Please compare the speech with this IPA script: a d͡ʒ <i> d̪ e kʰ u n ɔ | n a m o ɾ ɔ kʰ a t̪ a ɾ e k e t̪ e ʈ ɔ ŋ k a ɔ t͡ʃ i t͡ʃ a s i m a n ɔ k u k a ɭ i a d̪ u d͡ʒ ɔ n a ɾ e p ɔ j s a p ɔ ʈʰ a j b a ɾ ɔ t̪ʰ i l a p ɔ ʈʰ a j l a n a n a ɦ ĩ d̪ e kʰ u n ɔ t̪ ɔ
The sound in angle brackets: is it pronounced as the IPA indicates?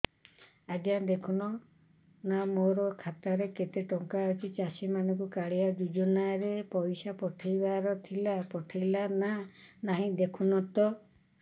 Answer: no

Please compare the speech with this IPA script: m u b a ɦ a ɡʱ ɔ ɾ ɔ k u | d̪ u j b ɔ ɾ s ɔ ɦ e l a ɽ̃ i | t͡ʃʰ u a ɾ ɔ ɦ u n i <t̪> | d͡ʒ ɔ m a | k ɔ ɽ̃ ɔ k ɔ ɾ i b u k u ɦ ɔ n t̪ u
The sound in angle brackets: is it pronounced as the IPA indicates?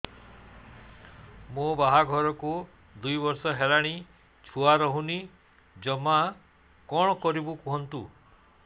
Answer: no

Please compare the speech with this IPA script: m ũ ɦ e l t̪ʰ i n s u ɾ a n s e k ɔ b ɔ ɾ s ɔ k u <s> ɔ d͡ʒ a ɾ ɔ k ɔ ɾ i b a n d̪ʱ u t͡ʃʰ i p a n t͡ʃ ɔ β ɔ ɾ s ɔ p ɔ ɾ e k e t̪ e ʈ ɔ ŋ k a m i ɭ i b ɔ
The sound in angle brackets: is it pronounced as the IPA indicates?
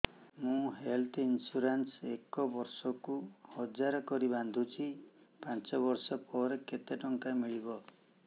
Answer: no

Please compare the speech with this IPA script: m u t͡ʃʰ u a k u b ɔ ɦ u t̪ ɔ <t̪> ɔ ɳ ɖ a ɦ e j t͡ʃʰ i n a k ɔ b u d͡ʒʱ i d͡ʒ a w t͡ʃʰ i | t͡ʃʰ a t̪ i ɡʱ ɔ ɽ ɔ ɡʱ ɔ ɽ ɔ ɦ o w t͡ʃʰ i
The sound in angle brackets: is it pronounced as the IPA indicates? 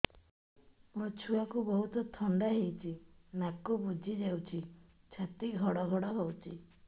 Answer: no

